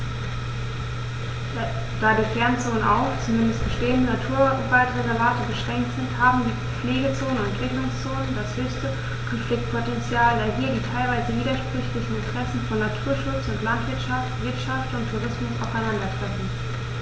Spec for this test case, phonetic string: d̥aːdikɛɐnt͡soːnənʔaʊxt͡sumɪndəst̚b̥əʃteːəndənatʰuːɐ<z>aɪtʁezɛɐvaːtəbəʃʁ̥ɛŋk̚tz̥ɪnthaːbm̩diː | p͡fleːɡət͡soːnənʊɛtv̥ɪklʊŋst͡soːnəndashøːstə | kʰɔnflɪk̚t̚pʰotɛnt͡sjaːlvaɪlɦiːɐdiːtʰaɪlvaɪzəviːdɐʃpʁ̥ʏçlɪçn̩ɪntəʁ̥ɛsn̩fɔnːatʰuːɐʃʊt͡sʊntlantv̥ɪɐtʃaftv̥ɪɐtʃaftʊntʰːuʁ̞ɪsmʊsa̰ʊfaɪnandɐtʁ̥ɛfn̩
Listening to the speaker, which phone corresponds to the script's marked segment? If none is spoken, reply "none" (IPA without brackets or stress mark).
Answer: v